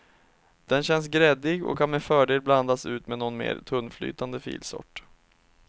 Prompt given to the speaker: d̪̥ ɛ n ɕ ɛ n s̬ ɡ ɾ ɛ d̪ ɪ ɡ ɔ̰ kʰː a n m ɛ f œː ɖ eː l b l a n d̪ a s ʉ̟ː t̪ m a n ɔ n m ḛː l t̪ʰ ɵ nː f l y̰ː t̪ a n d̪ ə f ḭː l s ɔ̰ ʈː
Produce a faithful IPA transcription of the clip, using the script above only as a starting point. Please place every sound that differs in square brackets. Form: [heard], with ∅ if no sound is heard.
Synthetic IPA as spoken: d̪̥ ɛ n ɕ ɛ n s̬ ɡ ɾ ɛ d̪ ɪ ɡ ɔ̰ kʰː a n m ɛ f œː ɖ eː l b l a n d̪ a s ʉ̟ː t̪ m [ɛ] n ɔ n m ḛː [ɾ] t̪ʰ ɵ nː f l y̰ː t̪ a n d̪ ə f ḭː l s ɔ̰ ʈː